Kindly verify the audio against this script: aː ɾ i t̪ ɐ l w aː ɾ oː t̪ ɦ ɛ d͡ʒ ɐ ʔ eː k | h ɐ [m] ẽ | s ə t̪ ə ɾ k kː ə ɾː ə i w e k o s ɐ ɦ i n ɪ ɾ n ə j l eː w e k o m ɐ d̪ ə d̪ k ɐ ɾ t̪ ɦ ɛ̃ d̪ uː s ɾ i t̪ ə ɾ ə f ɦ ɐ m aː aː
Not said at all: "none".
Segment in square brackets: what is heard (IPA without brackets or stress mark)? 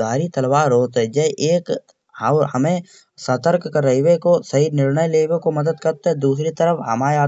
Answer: m